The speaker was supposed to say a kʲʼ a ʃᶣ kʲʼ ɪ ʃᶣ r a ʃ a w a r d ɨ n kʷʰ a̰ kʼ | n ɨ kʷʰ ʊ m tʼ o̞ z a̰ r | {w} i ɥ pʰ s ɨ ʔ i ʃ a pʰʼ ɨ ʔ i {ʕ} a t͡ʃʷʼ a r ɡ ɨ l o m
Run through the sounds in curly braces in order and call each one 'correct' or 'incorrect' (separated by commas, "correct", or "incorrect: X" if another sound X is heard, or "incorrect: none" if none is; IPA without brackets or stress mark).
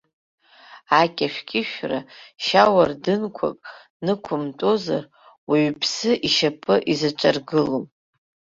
correct, incorrect: z